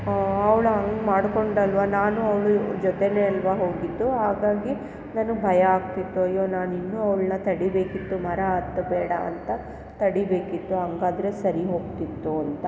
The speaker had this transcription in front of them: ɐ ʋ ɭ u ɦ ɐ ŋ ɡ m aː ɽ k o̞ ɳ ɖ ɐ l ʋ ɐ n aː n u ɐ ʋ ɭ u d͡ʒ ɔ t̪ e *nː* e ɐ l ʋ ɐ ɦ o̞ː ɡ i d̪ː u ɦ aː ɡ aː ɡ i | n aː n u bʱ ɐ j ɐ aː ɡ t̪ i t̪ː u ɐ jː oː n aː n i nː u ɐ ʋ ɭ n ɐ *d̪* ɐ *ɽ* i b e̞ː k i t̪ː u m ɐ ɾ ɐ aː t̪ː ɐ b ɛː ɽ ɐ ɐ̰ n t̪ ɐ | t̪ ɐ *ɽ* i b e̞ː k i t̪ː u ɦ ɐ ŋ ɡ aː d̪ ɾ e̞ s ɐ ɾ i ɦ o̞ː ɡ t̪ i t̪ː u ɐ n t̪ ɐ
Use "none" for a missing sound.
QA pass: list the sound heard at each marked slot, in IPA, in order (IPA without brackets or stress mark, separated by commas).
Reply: n, t̪, ɽ, ɽ